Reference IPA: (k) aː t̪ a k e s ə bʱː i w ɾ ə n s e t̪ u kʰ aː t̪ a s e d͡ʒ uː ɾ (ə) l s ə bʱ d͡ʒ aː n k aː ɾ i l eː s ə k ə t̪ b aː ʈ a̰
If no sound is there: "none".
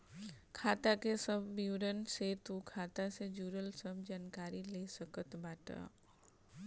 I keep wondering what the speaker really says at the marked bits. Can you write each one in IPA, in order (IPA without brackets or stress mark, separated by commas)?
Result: kʰ, ə